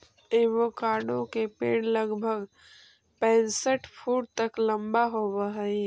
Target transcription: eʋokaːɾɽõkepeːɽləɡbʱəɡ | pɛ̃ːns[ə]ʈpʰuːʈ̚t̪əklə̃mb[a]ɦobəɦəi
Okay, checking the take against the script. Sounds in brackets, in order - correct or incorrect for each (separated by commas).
correct, correct